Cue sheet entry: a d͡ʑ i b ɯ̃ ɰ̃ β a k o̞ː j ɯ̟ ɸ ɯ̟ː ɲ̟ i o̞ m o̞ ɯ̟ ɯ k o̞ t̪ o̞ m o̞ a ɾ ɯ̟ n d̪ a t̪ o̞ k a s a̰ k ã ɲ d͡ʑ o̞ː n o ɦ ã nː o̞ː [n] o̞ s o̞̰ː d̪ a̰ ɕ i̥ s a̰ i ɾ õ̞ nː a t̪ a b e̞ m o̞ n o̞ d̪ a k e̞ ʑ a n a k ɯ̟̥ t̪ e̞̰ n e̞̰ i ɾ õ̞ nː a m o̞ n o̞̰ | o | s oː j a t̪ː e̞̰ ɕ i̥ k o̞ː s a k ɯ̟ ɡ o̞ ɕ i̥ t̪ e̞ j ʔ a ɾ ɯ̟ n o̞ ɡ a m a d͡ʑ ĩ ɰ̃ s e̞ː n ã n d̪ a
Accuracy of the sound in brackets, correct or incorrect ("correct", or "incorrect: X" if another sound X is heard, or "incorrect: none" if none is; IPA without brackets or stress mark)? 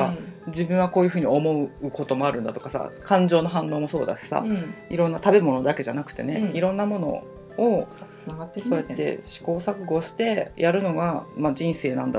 incorrect: m